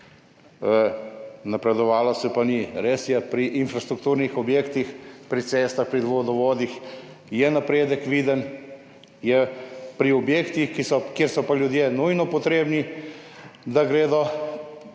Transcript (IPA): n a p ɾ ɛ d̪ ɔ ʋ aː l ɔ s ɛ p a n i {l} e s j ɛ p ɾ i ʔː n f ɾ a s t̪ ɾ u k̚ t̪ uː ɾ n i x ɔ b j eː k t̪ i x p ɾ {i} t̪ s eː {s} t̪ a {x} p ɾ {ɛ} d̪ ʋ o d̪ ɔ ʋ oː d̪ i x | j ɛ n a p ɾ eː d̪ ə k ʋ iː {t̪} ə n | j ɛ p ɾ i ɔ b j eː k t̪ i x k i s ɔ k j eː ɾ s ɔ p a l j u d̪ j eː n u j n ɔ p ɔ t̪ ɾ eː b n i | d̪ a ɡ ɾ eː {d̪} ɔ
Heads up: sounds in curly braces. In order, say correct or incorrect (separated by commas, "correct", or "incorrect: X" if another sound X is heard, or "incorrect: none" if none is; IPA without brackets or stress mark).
incorrect: ɾ, correct, correct, correct, incorrect: i, incorrect: d̪, correct